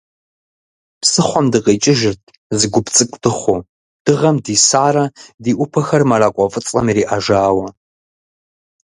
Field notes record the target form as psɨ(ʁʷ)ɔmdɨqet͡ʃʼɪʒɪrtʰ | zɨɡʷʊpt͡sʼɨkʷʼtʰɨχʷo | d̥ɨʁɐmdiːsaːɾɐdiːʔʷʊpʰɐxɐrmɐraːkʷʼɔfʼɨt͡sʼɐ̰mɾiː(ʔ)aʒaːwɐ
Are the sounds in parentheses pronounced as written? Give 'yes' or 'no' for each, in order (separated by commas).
no, yes